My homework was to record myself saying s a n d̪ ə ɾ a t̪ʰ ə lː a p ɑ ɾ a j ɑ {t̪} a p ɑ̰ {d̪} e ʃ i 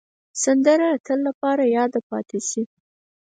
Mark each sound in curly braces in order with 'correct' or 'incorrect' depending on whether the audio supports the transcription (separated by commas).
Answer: incorrect, incorrect